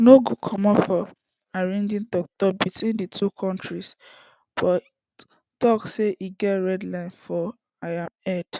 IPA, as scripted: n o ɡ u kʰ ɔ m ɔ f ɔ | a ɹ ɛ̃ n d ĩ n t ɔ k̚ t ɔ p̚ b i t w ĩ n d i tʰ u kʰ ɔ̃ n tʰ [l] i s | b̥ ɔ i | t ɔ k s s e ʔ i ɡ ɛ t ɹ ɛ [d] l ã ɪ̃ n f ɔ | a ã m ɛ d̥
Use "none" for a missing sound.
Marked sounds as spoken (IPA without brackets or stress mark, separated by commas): ɹ, d